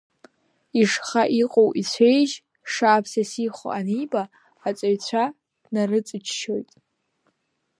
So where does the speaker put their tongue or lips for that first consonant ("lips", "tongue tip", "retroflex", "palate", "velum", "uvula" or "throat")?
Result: retroflex